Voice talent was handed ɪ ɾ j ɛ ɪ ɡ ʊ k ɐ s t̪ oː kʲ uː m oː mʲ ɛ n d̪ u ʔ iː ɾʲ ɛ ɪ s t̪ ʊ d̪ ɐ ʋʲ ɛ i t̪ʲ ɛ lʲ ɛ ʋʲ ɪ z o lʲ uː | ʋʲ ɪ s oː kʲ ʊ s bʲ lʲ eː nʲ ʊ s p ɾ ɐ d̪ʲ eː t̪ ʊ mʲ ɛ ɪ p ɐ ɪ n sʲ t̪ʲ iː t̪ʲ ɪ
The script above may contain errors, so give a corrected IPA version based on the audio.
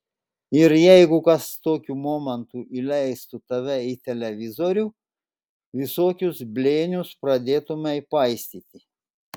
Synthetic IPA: ɪ ɾ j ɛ ɪ ɡ ʊ k ɐ s t̪ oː kʲ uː m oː mʲ ɛ n t̪ u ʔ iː lʲ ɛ ɪ s t̪ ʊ t̪ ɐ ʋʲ ɛ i t̪ʲ ɛ lʲ ɛ ʋʲ ɪ z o ɾʲ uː | ʋʲ ɪ s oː kʲ ʊ s bʲ lʲ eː nʲ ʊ s p ɾ ɐ d̪ʲ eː t̪ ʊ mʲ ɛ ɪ p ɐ ɪ sʲ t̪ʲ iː t̪ʲ ɪ